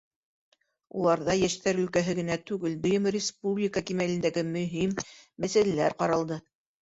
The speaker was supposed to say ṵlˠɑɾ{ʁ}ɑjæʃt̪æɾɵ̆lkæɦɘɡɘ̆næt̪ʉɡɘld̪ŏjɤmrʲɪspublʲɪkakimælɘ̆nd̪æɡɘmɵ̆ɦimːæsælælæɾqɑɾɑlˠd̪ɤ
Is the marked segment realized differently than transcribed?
yes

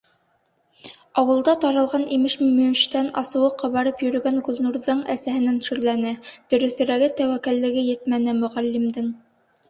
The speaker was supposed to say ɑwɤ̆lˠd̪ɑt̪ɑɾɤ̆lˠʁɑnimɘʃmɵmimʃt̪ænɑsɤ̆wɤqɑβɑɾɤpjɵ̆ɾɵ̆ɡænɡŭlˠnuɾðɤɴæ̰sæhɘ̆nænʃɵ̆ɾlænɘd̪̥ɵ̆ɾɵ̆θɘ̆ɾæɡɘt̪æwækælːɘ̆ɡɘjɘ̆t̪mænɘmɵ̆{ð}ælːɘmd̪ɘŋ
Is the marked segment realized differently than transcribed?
yes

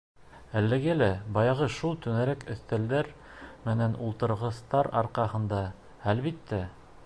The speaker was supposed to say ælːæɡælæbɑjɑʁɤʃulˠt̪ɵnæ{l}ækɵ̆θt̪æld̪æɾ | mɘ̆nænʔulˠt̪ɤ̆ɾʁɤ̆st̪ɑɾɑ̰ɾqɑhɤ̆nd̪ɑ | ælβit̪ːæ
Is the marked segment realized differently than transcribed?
yes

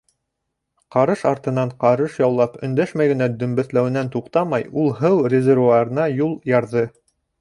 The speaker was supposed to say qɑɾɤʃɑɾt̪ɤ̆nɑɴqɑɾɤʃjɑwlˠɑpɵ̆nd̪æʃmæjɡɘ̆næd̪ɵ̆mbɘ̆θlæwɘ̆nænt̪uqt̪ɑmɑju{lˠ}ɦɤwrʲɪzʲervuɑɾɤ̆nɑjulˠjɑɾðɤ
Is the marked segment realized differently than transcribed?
no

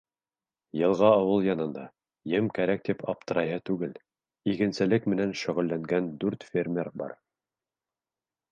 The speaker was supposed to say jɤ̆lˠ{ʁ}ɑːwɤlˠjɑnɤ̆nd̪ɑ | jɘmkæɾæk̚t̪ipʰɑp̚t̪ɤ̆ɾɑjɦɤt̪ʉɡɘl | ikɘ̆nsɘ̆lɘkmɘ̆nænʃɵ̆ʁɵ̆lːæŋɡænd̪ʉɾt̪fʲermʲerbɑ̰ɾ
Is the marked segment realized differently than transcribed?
no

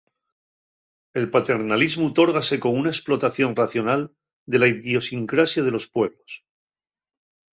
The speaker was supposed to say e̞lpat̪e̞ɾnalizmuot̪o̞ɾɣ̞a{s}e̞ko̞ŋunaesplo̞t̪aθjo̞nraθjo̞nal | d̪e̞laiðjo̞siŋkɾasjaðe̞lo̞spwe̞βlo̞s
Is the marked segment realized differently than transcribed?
no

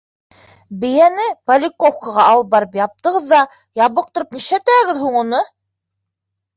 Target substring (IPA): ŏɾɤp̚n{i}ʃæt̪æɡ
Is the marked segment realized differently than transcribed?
no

